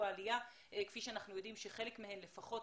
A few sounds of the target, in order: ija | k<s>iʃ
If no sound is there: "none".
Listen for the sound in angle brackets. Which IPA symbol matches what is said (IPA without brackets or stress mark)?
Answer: f